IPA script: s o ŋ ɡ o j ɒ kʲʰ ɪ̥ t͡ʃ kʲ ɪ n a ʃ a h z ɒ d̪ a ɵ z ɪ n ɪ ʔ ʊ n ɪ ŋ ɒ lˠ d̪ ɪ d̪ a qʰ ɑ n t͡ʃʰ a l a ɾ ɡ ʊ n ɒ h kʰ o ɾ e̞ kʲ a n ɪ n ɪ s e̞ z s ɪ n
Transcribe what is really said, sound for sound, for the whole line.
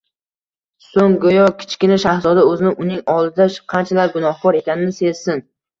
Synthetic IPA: s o ŋ ɡ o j ɒ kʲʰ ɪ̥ t͡ʃ kʲ ɪ n a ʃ a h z ɒ d̪ a ɵ z ɪ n ɪ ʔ ʊ n ɪ ŋ ɒ lˠ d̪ ɪ d̪ a qʰ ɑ n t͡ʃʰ a l a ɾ ɡ ʊ n ɒ h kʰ ɒ ɾ e̞ kʲ a n ɪ n ɪ s e̞ z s ɪ n